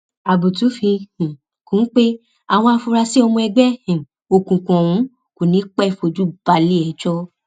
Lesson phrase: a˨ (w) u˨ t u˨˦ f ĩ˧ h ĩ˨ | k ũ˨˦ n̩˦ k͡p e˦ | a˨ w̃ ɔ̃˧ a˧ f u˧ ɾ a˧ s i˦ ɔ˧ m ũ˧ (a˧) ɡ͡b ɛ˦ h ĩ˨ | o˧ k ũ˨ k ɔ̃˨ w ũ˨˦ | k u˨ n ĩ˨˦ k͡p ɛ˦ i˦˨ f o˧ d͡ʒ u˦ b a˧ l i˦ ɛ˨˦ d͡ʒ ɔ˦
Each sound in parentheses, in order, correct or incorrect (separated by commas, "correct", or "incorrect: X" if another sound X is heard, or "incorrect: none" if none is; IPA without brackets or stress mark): incorrect: b, incorrect: ɛ˧